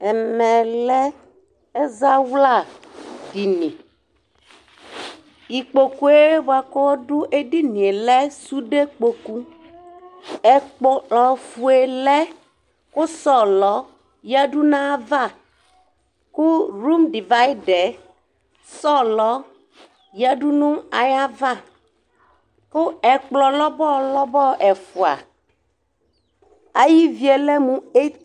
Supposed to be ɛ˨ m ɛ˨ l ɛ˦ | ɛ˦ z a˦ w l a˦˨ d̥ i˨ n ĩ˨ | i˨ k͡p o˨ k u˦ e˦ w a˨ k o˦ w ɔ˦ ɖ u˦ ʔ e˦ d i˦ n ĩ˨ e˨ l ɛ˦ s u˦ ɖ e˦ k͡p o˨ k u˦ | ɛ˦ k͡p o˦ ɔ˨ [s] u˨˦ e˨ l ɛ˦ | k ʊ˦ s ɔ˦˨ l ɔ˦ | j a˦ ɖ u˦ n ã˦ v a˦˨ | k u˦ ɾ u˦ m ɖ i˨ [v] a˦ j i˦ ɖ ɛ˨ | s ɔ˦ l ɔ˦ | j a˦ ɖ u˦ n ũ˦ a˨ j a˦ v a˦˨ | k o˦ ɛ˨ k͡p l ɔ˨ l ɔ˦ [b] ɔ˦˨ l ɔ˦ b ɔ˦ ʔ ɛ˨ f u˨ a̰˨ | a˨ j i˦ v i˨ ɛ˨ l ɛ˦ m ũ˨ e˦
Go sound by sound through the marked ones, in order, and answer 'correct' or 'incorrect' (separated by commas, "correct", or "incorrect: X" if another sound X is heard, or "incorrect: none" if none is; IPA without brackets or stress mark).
incorrect: f, correct, correct